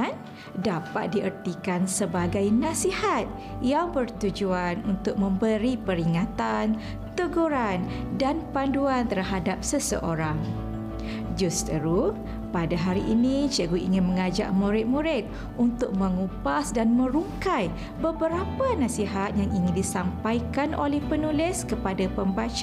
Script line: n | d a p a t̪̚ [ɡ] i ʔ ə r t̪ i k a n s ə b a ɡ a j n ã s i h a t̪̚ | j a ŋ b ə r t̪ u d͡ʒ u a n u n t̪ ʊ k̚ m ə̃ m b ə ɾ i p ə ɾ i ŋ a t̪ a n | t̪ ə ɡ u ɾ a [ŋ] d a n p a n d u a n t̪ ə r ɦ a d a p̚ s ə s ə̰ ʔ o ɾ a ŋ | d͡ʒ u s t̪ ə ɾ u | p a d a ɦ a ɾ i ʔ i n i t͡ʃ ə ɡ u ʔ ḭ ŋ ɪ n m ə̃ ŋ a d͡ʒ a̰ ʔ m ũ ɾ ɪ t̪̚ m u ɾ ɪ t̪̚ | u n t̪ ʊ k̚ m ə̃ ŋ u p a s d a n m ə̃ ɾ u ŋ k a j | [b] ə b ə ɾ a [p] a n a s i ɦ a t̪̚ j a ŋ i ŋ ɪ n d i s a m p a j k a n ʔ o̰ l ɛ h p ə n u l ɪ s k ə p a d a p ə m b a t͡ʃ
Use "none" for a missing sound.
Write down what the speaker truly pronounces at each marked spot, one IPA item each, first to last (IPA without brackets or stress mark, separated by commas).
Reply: d, n, b, p